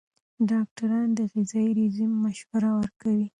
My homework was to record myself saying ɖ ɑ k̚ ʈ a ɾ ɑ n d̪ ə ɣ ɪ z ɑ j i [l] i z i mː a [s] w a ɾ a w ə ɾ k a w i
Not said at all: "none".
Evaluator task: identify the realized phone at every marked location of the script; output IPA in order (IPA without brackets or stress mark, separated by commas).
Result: ɾ, ʃ